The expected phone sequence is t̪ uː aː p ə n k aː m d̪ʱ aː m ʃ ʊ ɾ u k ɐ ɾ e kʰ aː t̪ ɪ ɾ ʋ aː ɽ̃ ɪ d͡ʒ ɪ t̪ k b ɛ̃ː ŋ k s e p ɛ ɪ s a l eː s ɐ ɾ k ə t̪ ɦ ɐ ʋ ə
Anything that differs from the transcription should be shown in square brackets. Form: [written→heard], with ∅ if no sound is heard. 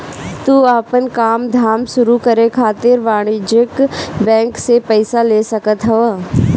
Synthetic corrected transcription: t̪ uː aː p ə n k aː m d̪ʱ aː m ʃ ʊ ɾ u k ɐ ɾ e kʰ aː t̪ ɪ ɾ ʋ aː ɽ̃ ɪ d͡ʒ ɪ [t̪→∅] k b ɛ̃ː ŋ k s e p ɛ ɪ s a l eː s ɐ [ɾ→∅] k ə t̪ ɦ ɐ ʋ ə